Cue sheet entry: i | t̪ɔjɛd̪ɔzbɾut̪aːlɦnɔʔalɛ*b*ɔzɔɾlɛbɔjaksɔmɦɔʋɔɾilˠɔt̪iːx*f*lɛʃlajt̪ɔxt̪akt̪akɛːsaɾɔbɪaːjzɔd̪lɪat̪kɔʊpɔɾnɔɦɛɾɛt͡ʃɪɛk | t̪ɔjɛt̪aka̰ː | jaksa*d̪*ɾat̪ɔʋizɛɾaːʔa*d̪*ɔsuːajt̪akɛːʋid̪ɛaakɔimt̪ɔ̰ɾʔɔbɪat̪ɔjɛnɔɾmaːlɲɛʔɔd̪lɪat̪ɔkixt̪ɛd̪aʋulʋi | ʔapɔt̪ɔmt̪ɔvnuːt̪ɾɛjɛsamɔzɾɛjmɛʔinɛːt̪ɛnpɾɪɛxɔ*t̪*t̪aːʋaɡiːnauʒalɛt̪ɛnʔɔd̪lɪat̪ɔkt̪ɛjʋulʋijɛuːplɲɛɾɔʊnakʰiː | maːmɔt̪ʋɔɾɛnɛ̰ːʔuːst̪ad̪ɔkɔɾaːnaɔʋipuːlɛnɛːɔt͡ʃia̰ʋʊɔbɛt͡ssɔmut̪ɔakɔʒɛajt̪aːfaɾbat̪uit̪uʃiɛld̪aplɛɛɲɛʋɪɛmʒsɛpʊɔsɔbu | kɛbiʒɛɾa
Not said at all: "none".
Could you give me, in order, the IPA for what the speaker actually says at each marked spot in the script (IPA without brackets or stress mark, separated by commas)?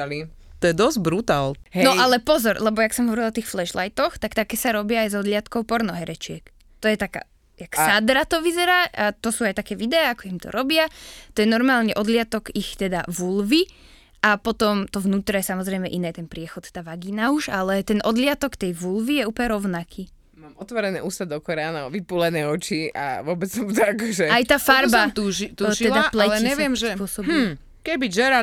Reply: p, f, d̪, t̪, t̪